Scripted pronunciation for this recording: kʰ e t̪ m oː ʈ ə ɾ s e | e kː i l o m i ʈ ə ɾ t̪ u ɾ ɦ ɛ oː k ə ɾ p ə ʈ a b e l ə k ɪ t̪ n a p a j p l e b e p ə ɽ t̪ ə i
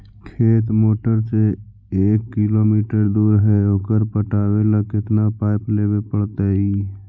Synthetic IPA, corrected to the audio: kʰ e t̪ m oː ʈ ə ɾ s e | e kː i l o m i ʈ ə ɾ d̪ u ɾ ɦ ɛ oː k ə ɾ p ə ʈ a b e l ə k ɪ t̪ n a p a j p l e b e p ə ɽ t̪ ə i